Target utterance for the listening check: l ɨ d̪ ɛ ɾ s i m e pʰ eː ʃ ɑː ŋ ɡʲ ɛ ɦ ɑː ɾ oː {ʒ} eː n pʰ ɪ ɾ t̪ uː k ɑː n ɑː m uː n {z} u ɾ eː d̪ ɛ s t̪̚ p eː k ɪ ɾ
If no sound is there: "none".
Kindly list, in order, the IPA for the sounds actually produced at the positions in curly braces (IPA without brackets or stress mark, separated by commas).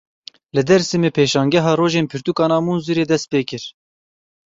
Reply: ʒ, z